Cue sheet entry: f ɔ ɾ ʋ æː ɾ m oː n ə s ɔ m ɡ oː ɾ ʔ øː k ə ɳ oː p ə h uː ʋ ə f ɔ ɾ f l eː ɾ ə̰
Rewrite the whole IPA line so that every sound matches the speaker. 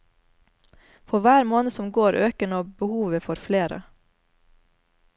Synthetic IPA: f ɔ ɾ ʋ æː ɾ m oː n ə s ɔ m ɡ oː ɾ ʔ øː k ə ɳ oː b ə h uː ʋ ə f ɔ ɾ f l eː ɾ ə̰